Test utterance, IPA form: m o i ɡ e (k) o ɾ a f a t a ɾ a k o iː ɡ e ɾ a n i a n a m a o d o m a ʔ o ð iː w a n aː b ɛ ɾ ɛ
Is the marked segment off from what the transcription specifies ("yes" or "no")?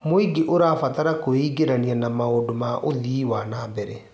yes